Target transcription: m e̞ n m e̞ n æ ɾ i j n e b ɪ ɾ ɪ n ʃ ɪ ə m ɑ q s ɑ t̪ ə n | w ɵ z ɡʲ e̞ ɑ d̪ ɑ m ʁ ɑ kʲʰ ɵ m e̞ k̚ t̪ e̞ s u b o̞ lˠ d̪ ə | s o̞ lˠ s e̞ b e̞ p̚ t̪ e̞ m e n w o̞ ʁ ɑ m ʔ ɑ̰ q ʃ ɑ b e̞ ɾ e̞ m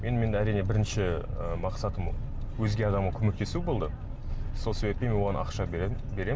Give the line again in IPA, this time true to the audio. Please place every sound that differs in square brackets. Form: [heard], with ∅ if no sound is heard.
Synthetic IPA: m e̞ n m e̞ n æ ɾ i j n e b ɪ ɾ ɪ n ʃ ɪ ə m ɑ q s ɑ t̪ ə [m] | w ɵ z ɡʲ e̞ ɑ d̪ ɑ m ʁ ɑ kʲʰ ɵ m e̞ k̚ t̪ e̞ s u b o̞ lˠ d̪ ə | s o̞ lˠ s e̞ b e̞ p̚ t̪ e̞ m e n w o̞ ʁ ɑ [n] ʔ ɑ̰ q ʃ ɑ b e̞ ɾ e̞ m